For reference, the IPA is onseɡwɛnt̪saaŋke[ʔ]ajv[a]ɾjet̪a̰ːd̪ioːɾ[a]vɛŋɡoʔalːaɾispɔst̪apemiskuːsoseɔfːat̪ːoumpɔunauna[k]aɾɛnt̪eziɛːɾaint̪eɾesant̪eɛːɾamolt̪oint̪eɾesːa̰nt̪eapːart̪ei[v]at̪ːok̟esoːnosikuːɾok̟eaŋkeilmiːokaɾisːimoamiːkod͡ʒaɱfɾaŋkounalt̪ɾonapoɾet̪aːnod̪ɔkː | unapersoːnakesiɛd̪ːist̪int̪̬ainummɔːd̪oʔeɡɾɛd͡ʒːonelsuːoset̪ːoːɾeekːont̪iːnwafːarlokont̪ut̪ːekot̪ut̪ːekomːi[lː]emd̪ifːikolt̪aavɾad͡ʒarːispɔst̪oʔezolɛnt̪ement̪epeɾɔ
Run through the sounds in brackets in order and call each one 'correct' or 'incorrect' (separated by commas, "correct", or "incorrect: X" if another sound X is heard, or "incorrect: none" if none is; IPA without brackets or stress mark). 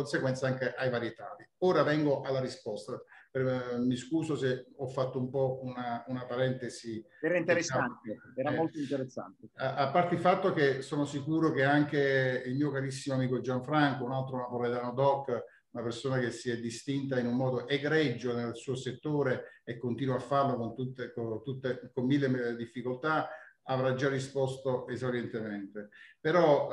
correct, correct, correct, incorrect: p, incorrect: f, correct